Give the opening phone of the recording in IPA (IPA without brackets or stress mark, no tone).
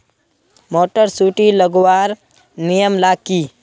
m